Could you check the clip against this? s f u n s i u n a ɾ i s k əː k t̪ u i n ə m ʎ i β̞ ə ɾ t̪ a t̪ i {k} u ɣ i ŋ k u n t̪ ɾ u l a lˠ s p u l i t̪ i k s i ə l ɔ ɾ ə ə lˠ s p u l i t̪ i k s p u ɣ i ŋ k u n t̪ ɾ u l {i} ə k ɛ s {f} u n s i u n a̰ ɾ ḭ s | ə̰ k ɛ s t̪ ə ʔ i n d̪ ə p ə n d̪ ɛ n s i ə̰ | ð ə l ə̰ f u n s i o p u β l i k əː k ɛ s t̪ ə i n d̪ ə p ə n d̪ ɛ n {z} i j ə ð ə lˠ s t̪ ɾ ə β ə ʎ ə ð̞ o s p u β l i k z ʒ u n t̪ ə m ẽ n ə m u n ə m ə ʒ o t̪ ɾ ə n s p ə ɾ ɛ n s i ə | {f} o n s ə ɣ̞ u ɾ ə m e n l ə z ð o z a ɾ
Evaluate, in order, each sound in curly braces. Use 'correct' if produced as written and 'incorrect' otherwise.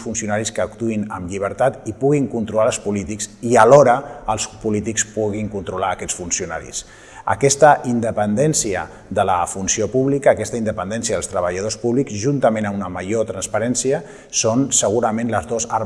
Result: incorrect, incorrect, correct, incorrect, incorrect

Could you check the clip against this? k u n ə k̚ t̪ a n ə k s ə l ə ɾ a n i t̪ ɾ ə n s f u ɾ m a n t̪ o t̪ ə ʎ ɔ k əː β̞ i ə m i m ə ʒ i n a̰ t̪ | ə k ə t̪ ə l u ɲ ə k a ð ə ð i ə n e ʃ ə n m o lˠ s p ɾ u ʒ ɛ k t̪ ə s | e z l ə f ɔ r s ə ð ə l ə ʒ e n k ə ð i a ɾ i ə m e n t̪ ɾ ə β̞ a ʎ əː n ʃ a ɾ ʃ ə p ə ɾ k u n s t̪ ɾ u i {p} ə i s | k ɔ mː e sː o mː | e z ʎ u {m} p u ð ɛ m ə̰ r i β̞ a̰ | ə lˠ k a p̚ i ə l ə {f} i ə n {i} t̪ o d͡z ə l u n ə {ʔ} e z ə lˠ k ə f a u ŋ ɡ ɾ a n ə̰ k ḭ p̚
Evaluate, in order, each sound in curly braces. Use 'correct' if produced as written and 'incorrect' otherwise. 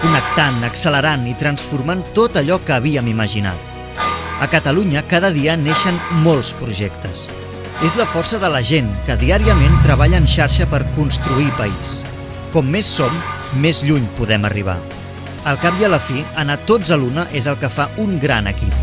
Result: correct, incorrect, correct, incorrect, correct

